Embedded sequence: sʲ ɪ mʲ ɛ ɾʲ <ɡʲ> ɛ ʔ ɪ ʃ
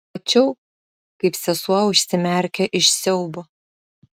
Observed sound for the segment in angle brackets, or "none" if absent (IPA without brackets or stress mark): kʲ